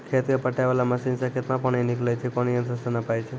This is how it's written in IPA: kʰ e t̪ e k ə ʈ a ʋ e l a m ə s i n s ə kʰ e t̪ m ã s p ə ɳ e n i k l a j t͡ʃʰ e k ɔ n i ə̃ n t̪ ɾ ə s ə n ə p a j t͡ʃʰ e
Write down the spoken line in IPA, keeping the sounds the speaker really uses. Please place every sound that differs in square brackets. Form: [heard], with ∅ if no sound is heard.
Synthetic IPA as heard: kʰ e t̪ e [p] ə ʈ a ʋ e l a m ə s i n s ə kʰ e t̪ m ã [∅] p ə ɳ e n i k l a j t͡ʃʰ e k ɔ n i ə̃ n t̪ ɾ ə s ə n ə p a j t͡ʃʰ e